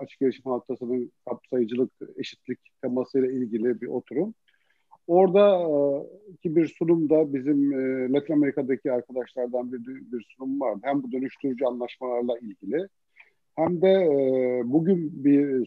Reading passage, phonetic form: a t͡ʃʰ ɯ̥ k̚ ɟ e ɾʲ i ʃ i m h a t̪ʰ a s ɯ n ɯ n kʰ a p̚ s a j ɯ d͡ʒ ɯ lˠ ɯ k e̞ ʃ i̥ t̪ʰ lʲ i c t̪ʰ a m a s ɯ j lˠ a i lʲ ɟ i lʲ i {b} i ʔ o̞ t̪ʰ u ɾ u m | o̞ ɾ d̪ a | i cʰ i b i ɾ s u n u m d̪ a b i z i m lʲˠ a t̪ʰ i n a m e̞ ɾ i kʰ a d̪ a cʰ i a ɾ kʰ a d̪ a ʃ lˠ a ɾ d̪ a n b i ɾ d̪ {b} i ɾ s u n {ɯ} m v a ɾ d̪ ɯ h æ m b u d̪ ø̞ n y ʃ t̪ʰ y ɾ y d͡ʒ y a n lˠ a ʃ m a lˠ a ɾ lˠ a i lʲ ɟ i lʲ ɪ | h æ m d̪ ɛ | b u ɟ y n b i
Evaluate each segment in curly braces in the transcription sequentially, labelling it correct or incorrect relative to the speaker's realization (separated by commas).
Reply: correct, correct, incorrect